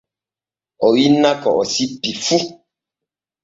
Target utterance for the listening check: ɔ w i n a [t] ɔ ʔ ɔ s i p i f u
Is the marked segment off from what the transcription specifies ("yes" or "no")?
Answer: yes